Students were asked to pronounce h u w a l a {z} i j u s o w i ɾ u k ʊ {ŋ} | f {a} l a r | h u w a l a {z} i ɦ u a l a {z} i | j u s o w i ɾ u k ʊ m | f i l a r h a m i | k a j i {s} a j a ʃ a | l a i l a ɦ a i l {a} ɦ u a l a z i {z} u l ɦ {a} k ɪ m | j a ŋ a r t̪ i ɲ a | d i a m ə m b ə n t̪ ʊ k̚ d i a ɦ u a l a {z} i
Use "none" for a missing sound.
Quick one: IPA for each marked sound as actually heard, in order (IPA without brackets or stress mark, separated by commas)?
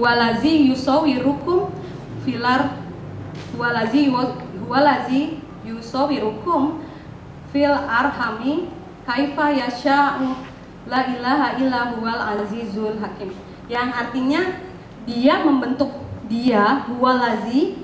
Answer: z, m, i, z, z, f, a, z, a, z